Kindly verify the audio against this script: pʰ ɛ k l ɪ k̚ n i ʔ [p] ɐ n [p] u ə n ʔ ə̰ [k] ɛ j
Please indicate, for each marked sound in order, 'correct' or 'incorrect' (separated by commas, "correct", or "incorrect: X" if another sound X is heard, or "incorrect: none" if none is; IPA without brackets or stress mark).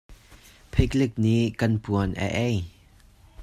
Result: incorrect: k, correct, incorrect: ʔ